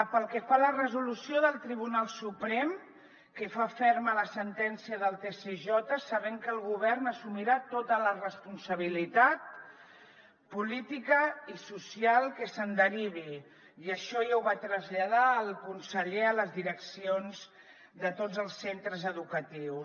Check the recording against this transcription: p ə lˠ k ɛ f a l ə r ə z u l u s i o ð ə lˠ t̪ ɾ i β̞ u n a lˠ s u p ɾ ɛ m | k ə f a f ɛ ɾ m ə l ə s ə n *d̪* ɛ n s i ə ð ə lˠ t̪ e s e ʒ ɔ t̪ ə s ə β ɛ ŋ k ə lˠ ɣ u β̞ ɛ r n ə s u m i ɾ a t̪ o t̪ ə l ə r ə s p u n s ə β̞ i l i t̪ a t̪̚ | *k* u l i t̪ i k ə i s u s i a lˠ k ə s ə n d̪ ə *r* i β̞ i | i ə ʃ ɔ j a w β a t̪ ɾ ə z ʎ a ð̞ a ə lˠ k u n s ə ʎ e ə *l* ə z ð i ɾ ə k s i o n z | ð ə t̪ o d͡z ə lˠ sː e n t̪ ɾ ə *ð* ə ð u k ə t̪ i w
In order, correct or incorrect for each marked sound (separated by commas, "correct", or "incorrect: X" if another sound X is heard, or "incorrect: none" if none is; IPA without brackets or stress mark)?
incorrect: t̪, incorrect: p, incorrect: ɾ, correct, incorrect: z